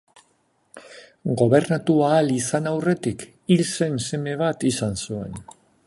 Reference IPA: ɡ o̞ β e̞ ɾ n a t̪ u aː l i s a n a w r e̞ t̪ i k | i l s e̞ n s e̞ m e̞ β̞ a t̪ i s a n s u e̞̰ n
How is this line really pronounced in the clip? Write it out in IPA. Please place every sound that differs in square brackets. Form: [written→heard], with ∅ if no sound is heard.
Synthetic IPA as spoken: ɡ o̞ β e̞ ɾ n a t̪ u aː l i s a n a w r e̞ t̪ i k | i l s e̞ n s e̞ m e̞ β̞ a t̪ i s a n s u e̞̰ n

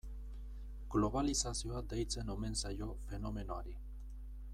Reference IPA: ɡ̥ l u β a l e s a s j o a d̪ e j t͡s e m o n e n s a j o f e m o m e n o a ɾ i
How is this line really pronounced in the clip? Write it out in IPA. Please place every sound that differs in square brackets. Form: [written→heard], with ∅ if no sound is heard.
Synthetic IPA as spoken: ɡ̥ l [u→o] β a l [e→i] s a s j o a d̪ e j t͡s e [m→n] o [n→m] e n s a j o f e [m→n] o m e n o a ɾ i

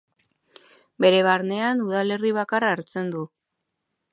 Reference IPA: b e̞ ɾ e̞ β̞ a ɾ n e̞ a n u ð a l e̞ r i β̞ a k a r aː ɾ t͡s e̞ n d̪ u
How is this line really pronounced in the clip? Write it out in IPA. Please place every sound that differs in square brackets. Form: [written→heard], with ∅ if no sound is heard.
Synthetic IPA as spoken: b e̞ ɾ e̞ β̞ a ɾ n e̞ a n u ð a l e̞ r i β̞ a k a r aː ɾ t͡s e̞ n d̪ u

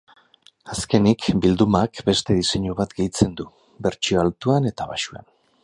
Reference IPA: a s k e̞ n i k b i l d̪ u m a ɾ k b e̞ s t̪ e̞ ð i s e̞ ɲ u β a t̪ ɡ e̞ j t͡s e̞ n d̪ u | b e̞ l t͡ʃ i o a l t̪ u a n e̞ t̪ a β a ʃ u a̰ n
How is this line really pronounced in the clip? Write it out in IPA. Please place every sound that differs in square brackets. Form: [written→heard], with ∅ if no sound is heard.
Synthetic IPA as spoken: a s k e̞ n i k b i l d̪ u m a [ɾ→∅] k b e̞ s t̪ e̞ ð i s e̞ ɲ u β a t̪ ɡ e̞ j t͡s e̞ n d̪ u | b e̞ [l→ɾ] t͡ʃ i o a l t̪ u a n e̞ t̪ a β a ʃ u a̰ n

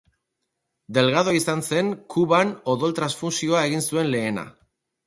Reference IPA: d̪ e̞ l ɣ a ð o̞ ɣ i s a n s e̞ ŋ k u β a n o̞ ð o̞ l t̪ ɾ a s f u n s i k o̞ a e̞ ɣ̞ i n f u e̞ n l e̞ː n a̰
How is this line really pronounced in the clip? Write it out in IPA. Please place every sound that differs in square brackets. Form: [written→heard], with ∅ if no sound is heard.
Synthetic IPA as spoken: d̪ e̞ l ɣ a ð o̞ [ɣ→∅] i s a n s e̞ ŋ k u β a n o̞ ð o̞ l t̪ ɾ a s f u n s i [k→∅] o̞ a e̞ ɣ̞ i n [f→s] u e̞ n l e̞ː n a̰

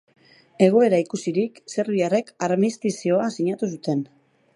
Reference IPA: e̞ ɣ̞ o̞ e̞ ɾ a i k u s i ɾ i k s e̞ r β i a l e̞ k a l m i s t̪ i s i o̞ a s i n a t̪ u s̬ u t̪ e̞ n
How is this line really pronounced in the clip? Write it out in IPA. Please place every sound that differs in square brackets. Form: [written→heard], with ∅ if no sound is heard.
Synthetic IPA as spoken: e̞ ɣ̞ o̞ e̞ ɾ a i k u s i ɾ i k s e̞ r β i a [l→r] e̞ k a [l→ɾ] m i s t̪ i s i o̞ a s i [n→ɲ] a t̪ u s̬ u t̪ e̞ n

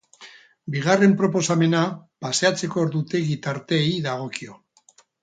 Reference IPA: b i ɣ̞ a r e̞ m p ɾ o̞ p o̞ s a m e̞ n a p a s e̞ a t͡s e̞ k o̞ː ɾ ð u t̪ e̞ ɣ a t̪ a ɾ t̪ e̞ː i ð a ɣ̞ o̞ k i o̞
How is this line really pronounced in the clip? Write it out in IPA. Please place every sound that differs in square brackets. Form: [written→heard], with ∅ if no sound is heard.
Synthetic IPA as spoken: b i ɣ̞ a r e̞ m p ɾ o̞ p o̞ s a m e̞ n a p a s e̞ a t͡s e̞ k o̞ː ɾ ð u t̪ e̞ ɣ [a→i] t̪ a ɾ t̪ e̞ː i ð a ɣ̞ o̞ k i o̞

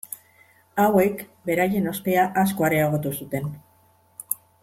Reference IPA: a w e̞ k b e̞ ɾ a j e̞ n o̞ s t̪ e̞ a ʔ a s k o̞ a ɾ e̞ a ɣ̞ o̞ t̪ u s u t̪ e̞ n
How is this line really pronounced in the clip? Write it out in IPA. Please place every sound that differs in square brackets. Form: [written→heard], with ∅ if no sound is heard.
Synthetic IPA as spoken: a w e̞ k b e̞ ɾ a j e̞ n o̞ s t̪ e̞ a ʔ a s k o̞ a ɾ e̞ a ɣ̞ o̞ t̪ u s u t̪ e̞ n

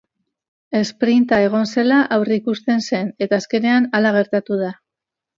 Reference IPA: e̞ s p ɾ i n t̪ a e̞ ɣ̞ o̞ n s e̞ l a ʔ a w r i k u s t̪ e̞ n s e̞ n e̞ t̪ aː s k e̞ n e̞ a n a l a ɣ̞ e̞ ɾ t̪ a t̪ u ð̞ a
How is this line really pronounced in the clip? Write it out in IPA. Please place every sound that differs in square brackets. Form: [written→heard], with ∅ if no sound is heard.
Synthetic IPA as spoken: e̞ s p ɾ i n t̪ a e̞ ɣ̞ o̞ n s e̞ l a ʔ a w r i k u s t̪ e̞ n s e̞ n e̞ t̪ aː s k e̞ n e̞ a n a l a ɣ̞ e̞ ɾ t̪ a t̪ u ð̞ a

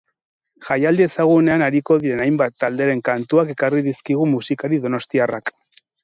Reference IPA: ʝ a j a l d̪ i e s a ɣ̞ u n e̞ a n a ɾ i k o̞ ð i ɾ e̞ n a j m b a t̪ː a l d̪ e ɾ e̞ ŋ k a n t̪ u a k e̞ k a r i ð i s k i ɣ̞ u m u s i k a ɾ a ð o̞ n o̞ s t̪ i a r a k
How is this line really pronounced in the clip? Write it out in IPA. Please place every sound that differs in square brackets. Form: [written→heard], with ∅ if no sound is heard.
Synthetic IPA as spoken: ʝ a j a l d̪ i e s a ɣ̞ u n e̞ a n a ɾ i k o̞ ð i ɾ e̞ n a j m b a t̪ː a l d̪ e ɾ e̞ ŋ k a n t̪ u a k e̞ k a r i ð i s k i ɣ̞ u m u s i k a ɾ [a→i] ð o̞ n o̞ s t̪ i a r a k

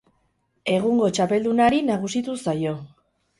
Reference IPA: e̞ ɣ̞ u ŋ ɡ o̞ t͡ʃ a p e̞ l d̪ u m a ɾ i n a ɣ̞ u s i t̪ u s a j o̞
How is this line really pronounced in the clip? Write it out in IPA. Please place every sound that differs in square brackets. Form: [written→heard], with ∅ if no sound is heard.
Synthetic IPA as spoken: e̞ ɣ̞ u ŋ ɡ o̞ t͡ʃ a p e̞ l d̪ u [m→n] a ɾ i n a ɣ̞ u s i t̪ u s a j o̞

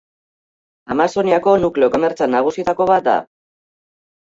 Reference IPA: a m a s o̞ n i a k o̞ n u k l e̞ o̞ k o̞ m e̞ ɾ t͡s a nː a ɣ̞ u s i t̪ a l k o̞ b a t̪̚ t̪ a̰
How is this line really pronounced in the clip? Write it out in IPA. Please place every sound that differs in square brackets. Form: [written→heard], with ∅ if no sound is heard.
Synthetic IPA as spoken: a m a s o̞ n i a k o̞ n u k l e̞ o̞ k o̞ m e̞ ɾ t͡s a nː a ɣ̞ u s i t̪ a [l→∅] k o̞ [b→β] a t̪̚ [t̪→d̪] a̰

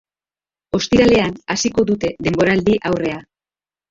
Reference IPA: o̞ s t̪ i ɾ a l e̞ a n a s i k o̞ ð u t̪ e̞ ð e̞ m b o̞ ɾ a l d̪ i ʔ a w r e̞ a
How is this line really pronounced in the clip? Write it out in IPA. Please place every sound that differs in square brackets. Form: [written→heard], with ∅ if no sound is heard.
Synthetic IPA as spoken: o̞ s t̪ i ɾ a l e̞ a n a s i k o̞ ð u t̪ e̞ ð e̞ m b o̞ ɾ a l d̪ i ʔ a w r e̞ a

